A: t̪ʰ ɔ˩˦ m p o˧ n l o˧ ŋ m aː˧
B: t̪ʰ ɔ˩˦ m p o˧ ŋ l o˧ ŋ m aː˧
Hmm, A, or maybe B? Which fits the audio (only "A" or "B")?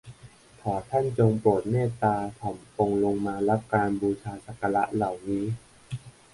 B